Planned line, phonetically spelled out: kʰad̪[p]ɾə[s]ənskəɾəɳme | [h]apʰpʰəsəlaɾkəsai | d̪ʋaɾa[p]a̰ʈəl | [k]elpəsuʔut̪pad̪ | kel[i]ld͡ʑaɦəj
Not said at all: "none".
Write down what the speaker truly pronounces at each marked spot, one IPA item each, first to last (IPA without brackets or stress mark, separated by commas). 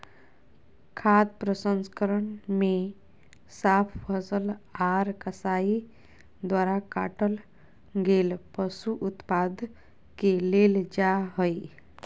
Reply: p, s, s, k, ɡ, e